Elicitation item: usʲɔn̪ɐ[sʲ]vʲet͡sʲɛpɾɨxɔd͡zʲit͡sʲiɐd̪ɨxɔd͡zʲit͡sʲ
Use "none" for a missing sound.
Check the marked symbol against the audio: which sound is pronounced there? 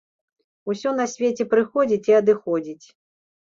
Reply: sʲ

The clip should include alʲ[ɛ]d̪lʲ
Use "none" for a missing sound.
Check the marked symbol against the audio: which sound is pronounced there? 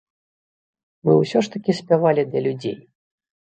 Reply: i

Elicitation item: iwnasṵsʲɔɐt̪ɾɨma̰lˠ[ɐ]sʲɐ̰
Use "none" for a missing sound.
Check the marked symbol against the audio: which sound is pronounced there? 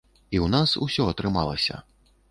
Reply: ɐ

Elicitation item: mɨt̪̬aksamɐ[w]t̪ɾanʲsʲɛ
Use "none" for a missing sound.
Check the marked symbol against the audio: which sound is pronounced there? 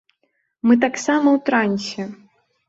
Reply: w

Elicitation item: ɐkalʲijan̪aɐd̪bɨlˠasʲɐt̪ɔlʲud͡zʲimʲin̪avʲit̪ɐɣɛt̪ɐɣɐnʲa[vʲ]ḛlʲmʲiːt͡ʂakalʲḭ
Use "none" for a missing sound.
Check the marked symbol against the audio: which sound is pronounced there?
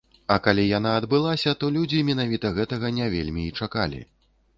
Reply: vʲ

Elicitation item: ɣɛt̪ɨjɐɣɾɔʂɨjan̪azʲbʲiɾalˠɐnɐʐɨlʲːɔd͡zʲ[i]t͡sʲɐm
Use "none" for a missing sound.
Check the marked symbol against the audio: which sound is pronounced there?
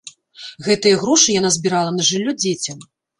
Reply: e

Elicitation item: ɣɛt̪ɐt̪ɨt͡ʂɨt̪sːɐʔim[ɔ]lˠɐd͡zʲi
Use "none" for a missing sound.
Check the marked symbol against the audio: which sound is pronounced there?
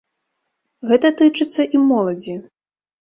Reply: ɔ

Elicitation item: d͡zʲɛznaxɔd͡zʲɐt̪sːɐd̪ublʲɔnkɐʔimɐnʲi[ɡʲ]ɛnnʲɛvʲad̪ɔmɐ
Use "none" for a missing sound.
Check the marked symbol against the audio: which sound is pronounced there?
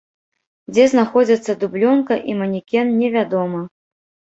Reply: kʲ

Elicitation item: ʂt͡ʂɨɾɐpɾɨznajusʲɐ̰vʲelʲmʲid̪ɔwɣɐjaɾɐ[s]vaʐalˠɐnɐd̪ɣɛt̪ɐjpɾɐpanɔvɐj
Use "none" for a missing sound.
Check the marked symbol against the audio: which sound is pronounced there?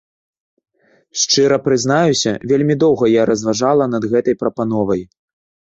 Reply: z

